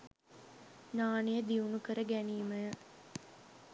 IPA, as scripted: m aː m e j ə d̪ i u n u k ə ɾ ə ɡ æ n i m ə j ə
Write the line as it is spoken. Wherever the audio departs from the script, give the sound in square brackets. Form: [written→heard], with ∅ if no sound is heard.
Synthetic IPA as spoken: [m→n] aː [m→n] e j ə d̪ i u n u k ə ɾ ə ɡ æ n [i→iː] m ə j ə